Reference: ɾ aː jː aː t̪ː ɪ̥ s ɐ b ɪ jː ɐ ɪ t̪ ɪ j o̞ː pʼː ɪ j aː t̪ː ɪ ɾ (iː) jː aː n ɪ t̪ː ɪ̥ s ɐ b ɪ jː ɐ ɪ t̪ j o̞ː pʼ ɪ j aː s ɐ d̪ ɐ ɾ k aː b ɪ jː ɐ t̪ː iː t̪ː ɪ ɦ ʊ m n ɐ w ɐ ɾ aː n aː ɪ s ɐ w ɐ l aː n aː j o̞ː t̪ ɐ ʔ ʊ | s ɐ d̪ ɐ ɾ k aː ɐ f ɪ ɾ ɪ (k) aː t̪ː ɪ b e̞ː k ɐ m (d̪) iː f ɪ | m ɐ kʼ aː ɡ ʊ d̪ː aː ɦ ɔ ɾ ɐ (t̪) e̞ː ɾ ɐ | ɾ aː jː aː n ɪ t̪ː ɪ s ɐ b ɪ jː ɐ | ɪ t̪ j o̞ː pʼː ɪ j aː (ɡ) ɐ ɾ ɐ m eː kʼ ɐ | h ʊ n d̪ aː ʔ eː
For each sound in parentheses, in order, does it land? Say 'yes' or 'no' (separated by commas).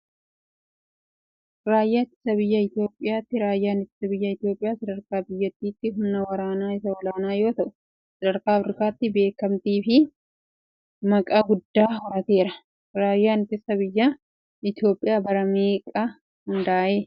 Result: no, yes, no, yes, no